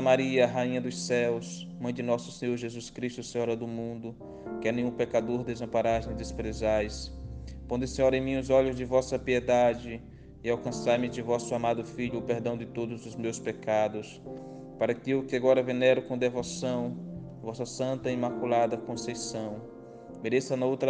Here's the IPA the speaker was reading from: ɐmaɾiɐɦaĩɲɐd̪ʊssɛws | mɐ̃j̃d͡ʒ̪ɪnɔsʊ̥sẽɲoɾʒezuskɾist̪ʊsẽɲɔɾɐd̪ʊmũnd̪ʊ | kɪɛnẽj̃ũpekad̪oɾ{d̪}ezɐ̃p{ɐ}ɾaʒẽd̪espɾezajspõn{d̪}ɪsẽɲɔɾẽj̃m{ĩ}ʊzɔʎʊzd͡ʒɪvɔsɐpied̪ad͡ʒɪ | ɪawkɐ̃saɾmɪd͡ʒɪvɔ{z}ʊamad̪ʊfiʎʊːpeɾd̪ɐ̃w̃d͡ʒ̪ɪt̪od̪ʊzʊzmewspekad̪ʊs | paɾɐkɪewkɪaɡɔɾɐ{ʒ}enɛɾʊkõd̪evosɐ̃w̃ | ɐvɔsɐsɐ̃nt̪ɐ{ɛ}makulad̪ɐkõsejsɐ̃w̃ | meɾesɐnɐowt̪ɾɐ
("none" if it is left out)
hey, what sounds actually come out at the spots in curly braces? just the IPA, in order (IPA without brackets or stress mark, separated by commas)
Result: d̪, a, d̪, ĩ, s, v, i